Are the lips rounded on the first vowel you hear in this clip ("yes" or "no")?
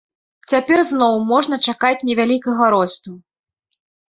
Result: no